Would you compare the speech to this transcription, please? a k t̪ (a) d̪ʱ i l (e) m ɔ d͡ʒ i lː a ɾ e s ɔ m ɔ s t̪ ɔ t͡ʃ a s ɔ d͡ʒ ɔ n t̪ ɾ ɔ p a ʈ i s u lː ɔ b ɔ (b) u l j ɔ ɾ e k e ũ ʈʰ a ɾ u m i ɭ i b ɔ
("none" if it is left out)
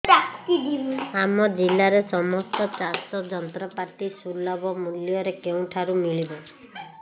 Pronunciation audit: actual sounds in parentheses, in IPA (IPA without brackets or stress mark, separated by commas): i, a, m